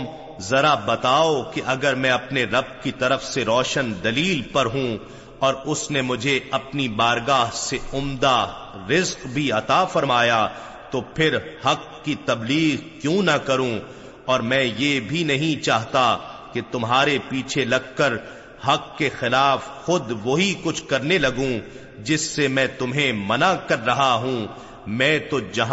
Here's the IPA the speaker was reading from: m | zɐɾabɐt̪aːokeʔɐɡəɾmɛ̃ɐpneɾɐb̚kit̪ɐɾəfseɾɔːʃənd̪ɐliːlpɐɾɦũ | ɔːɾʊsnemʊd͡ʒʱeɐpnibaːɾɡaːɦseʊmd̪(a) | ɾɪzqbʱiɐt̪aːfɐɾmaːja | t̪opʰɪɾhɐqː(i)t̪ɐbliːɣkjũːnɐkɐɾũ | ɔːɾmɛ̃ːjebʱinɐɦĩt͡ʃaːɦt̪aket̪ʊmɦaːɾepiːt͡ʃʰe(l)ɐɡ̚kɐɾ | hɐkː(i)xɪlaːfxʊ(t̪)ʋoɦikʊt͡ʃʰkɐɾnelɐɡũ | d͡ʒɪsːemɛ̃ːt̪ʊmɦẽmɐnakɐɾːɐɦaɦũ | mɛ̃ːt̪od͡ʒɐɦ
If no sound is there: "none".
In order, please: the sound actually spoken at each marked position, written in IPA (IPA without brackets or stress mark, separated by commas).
a, i, l, e, d̪